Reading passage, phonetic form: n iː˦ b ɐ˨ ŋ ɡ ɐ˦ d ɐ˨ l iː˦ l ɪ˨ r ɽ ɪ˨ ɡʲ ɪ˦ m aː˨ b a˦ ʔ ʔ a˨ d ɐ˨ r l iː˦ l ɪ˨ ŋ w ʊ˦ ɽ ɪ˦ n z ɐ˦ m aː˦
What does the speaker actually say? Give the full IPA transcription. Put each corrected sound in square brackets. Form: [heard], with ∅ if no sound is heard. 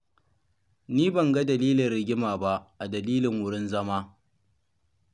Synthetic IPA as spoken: n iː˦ b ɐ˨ ŋ ɡ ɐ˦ d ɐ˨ l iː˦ l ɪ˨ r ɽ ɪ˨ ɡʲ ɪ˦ m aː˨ b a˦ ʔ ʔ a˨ d ɐ˨ [∅] l iː˦ l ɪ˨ ŋ w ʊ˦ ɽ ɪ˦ n z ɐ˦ m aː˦